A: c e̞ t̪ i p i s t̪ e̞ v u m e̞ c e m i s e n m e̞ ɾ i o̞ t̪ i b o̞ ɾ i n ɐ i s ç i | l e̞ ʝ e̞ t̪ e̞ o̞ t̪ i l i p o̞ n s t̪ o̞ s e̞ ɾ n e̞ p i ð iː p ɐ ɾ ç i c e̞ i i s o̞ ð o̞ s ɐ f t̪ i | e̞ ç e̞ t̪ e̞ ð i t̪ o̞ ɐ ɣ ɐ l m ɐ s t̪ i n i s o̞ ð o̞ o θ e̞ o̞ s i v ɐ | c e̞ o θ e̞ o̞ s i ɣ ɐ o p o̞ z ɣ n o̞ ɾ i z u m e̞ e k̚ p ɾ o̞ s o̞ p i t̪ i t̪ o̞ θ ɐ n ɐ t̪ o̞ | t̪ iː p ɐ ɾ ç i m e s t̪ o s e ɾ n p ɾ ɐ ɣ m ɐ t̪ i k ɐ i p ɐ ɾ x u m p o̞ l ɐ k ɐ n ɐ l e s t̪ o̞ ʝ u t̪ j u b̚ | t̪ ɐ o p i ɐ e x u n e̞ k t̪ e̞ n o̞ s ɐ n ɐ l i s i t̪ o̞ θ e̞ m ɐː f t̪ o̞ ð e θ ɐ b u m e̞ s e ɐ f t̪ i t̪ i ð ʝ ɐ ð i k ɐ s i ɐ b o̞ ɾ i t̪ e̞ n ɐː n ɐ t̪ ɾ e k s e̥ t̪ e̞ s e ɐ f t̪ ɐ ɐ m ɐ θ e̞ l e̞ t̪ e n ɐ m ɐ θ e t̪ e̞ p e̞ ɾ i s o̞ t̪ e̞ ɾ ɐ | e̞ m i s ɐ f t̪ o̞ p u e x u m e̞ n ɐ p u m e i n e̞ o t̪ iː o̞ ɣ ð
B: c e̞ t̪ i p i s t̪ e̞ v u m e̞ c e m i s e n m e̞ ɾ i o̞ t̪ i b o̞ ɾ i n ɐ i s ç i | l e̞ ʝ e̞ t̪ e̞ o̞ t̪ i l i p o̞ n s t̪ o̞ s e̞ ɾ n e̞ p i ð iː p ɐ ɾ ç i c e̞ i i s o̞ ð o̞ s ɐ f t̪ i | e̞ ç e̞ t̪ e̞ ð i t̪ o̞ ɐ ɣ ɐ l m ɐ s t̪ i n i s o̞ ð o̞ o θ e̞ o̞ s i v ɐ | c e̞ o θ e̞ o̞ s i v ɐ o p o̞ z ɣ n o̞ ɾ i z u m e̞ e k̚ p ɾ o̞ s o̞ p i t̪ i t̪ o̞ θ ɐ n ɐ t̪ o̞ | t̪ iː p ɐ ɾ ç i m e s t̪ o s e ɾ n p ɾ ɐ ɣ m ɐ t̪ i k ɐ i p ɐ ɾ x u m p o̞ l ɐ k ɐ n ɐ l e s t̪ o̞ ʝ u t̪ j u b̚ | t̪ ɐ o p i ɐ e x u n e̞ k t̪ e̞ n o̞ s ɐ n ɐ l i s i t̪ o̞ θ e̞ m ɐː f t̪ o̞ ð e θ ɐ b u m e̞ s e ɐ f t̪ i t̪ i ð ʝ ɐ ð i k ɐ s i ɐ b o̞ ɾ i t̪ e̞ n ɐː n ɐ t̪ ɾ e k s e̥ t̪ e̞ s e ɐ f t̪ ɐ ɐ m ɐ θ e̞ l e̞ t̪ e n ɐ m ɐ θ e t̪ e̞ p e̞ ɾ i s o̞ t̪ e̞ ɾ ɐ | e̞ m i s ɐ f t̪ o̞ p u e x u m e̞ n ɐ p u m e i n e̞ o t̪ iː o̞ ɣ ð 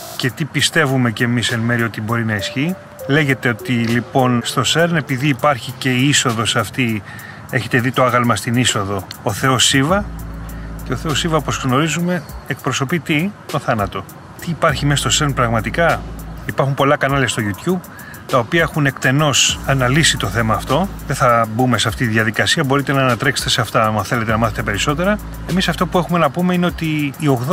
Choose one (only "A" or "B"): B